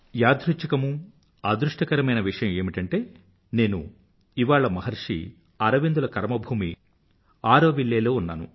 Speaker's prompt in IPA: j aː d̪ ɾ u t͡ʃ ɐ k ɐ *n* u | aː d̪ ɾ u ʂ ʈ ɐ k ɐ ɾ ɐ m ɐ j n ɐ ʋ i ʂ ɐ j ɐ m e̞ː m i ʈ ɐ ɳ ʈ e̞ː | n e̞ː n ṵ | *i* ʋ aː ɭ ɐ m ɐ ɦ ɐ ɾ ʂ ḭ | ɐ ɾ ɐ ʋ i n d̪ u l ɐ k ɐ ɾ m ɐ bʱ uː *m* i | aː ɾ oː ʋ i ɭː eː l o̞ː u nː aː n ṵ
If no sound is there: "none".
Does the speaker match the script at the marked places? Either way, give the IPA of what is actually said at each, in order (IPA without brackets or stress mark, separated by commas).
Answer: m, i, m